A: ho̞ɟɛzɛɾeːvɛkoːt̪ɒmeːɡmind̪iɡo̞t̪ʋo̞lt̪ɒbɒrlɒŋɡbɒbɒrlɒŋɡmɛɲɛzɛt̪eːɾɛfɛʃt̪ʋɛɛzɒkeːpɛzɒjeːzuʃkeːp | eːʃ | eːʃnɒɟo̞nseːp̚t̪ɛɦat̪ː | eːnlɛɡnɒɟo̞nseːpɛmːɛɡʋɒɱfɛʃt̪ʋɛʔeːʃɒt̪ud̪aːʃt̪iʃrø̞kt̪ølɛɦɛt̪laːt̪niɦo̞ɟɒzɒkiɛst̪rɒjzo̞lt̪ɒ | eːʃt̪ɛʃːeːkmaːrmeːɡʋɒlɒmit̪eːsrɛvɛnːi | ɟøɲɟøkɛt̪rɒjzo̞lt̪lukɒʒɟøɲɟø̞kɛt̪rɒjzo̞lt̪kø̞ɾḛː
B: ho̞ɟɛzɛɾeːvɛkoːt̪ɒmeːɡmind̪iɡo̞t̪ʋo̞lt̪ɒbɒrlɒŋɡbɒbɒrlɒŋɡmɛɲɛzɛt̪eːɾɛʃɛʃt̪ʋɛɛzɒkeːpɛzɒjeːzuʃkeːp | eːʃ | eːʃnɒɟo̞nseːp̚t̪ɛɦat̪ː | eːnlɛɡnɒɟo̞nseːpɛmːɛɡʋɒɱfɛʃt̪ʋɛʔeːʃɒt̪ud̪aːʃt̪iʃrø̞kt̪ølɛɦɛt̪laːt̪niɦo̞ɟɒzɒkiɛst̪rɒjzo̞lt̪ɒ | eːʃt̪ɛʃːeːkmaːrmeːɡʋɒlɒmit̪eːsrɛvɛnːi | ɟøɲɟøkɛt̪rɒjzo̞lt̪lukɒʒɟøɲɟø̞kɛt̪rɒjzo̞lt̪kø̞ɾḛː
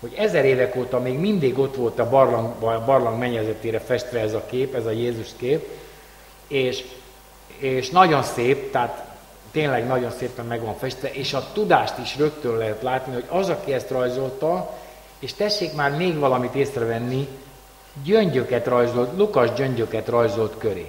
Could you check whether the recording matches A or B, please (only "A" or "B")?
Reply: A